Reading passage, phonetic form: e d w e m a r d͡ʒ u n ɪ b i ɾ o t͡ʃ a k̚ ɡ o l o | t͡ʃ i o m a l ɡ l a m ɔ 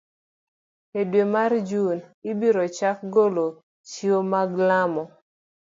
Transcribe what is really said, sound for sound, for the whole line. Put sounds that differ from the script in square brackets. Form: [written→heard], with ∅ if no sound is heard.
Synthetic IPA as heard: e d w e m a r d͡ʒ u n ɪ b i ɾ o t͡ʃ a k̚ ɡ o l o | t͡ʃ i o m a [l→∅] ɡ l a m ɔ